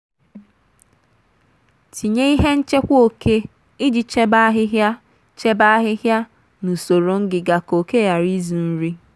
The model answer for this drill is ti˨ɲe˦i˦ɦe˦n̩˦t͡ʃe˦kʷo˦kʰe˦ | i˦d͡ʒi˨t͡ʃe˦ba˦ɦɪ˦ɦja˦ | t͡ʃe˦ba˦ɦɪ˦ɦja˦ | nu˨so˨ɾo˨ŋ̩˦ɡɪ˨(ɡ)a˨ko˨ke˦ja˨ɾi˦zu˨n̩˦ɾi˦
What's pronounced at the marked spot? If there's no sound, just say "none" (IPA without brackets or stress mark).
ɡ